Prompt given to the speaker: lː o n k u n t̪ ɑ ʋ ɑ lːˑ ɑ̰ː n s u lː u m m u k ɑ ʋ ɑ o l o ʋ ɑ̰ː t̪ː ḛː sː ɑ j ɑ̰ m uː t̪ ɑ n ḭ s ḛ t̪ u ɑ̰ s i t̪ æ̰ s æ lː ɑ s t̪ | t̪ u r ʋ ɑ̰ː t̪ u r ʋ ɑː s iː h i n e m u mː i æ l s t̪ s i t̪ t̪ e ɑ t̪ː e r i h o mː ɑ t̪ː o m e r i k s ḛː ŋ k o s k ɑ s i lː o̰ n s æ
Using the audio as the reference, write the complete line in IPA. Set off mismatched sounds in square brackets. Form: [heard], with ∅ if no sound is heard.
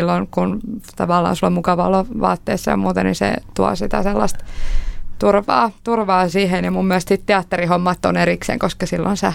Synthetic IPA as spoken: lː o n k u n t̪ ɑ ʋ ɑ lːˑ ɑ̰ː n s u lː [o] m m u k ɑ ʋ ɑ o l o ʋ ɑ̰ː t̪ː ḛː sː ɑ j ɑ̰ m uː t̪ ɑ n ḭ s ḛ t̪ u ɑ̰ s i t̪ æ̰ s [e] lː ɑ s t̪ | t̪ u r ʋ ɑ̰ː t̪ u r ʋ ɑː s iː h [e] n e m u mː i æ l s t̪ s i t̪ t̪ e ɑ t̪ː e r i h o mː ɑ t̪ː o [n] e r i k s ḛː ŋ k o s k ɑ s i lː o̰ n s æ